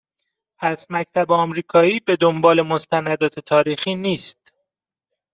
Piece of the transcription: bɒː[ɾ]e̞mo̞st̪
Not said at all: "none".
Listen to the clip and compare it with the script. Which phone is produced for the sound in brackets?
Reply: l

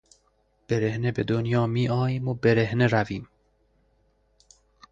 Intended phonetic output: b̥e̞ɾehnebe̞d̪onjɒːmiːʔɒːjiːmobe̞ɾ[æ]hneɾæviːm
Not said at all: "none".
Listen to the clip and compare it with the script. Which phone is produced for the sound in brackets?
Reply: e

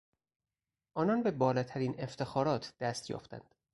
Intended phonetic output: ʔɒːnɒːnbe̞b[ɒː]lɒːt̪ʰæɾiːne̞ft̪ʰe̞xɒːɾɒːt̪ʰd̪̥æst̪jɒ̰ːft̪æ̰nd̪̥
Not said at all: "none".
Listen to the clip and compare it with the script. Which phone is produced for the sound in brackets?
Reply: ɒː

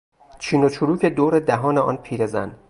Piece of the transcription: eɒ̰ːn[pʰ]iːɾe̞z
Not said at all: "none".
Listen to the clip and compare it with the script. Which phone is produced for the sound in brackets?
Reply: pʰ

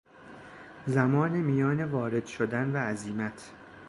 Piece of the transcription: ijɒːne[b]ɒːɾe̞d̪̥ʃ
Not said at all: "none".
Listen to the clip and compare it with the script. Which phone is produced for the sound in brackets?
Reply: v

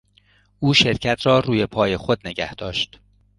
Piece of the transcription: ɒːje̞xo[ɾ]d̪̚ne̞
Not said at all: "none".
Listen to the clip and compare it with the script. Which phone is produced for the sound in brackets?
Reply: none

